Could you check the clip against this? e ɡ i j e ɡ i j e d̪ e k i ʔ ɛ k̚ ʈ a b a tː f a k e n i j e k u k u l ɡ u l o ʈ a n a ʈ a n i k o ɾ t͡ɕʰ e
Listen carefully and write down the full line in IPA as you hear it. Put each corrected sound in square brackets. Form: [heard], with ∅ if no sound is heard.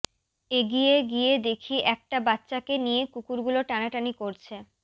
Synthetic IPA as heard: e ɡ i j e ɡ i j e d̪ e [kʰ] i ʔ ɛ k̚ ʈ a b a tː [ɕ] a k e n i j e k u k u [ɾ] ɡ u l o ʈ a n a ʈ a n i k o ɾ t͡ɕʰ e

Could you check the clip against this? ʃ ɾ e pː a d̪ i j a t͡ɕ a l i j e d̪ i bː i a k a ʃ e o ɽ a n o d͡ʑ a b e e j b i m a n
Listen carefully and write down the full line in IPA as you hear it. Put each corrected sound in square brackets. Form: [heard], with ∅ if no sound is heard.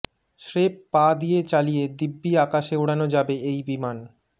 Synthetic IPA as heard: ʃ ɾ e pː a d̪ i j [e] t͡ɕ a l i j e d̪ i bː i a k a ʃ e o ɽ a n o d͡ʑ a b e e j b i m a n

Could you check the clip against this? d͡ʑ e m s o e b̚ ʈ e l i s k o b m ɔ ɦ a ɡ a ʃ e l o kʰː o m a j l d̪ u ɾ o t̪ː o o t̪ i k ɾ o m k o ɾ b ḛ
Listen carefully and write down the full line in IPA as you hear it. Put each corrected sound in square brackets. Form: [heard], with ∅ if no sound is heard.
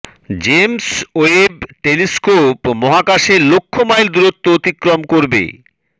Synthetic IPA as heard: d͡ʑ e m s o e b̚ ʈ e l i s k o [p] m ɔ ɦ a [k] a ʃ e l o kʰː o m a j l d̪ u ɾ o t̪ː o o t̪ i k ɾ o m k o ɾ b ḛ

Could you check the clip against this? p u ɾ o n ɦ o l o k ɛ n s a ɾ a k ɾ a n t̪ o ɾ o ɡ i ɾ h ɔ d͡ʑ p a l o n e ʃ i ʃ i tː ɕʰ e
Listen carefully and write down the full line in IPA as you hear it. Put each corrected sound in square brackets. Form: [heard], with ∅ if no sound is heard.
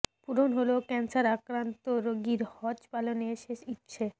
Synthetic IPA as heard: p u ɾ o n ɦ o l o k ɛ n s a ɾ a k ɾ a n t̪ o ɾ o ɡ i ɾ h ɔ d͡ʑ p a l o n e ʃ [e] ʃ i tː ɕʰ e

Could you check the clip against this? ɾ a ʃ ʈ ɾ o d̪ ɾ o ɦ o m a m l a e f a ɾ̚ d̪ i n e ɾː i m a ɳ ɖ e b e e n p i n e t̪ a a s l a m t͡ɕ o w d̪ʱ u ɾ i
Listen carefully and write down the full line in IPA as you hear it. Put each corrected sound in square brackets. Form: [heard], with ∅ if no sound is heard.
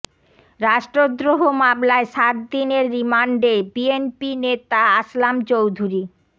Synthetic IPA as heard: ɾ a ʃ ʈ ɾ o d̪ ɾ o ɦ o m a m l a e [ʃ] a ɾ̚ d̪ i n e ɾː i m a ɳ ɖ e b [i] e n p i n e t̪ a a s l a m t͡ɕ o w d̪ʱ u ɾ i

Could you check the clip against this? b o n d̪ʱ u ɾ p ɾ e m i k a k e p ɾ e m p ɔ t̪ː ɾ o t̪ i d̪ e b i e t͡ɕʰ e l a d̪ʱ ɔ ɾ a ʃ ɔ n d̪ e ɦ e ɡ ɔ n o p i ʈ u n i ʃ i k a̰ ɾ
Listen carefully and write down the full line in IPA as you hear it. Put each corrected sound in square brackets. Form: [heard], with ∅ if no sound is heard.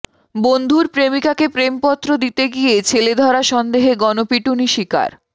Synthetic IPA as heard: b o n d̪ʱ u ɾ p ɾ e m i k a k e p ɾ e m p ɔ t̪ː ɾ o [d̪] i [t̪] e [ɡ] i e t͡ɕʰ e l [e] d̪ʱ ɔ ɾ a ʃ ɔ n d̪ e ɦ e ɡ ɔ n o p i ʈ u n i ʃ i k a̰ ɾ

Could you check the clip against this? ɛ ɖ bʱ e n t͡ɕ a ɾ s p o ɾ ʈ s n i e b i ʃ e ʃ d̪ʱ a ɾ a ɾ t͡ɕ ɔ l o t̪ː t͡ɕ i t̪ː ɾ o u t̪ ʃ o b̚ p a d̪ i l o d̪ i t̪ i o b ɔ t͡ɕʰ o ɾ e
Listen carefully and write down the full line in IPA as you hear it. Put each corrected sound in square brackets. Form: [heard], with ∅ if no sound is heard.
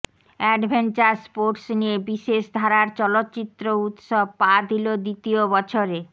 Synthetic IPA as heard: ɛ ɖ bʱ e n t͡ɕ a ɾ s p o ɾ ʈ s n i e b i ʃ e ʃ d̪ʱ a ɾ a ɾ t͡ɕ ɔ l o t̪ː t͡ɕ i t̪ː ɾ o u t̪ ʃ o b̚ p a d̪ i l o d̪ i t̪ i o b ɔ t͡ɕʰ o ɾ e

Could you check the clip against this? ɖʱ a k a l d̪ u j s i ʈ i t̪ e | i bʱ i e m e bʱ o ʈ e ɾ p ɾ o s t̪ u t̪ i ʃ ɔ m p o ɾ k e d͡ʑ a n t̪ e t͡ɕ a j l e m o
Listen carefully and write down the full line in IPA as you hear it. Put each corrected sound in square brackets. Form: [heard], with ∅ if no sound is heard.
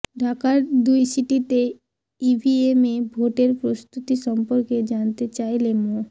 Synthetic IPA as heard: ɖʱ a k a [ɾ] d̪ u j s i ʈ i t̪ e | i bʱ i e m e bʱ o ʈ e ɾ p ɾ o s t̪ u t̪ i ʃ ɔ m p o ɾ k e d͡ʑ a n t̪ e t͡ɕ a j l e m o

